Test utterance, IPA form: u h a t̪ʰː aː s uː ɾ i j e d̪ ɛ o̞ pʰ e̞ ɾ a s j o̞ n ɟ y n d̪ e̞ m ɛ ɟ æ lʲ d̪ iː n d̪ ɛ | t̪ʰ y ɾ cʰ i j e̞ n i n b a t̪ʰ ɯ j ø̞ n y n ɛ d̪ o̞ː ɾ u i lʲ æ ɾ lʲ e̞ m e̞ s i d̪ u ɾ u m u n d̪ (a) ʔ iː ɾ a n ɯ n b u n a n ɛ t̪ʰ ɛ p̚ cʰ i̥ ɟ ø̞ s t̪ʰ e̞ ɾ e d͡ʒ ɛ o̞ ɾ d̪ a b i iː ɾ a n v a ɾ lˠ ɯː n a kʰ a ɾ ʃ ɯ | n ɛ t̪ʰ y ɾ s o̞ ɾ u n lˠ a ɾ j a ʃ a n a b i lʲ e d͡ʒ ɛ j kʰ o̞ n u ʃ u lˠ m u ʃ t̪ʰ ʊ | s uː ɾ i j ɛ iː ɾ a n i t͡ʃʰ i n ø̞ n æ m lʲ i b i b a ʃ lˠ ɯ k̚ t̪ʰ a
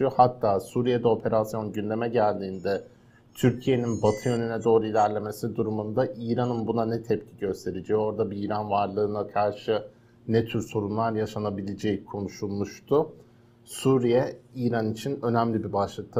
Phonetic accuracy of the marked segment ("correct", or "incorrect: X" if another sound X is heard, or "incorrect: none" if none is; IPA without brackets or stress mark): correct